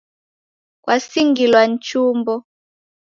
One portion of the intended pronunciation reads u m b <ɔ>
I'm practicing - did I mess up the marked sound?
no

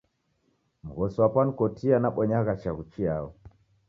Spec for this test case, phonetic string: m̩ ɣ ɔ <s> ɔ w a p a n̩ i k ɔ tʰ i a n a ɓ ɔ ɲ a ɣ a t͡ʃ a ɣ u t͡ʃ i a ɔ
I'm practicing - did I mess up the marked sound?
no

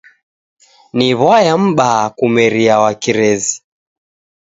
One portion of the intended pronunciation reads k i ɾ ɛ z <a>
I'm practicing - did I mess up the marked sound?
yes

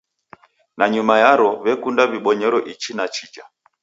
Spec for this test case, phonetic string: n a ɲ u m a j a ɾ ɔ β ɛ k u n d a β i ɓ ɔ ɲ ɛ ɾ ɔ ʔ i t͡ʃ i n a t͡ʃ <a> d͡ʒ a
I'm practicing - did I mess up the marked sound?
yes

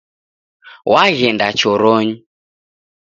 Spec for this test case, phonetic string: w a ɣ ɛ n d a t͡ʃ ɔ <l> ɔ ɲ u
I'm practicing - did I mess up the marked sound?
yes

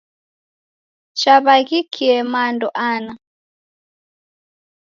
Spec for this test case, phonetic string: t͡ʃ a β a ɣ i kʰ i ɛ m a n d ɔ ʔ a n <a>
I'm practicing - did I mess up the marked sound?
no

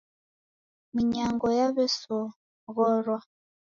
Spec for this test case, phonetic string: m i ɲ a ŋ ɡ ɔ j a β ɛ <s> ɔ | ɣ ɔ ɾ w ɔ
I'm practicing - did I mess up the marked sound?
no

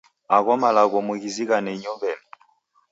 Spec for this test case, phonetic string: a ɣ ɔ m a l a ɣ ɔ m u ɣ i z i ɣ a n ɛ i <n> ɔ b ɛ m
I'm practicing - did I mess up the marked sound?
yes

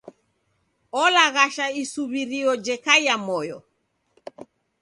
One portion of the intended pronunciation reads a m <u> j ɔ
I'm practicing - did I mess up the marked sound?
yes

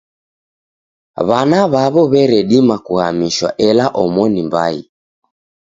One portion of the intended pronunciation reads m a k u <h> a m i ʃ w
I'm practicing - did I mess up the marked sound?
no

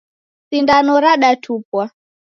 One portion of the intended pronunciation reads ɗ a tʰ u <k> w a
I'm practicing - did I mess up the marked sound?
yes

